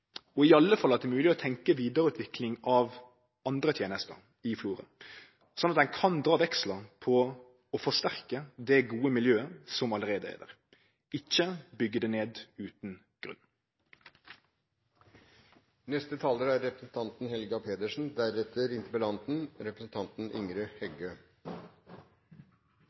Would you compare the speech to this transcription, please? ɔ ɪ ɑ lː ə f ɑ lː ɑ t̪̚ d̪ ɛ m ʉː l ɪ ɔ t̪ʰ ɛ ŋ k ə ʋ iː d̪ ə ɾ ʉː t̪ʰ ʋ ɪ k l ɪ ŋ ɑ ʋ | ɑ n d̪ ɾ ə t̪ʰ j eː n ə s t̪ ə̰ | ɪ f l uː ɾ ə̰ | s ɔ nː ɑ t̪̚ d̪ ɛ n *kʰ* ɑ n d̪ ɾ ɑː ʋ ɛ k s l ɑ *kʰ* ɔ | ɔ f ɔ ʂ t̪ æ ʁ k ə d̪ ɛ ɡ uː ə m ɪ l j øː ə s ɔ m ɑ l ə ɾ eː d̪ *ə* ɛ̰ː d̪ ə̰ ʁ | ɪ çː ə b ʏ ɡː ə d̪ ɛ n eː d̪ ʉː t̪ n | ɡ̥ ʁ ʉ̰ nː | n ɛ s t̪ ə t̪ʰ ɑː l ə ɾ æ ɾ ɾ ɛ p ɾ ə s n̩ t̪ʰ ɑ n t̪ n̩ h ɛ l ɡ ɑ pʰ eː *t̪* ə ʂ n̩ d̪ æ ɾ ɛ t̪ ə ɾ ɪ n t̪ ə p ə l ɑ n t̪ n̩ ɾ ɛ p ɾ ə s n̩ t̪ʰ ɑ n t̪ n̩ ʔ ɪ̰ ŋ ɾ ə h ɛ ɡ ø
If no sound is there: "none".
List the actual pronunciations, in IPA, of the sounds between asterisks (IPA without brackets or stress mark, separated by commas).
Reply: kʰ, pʰ, ə, d̪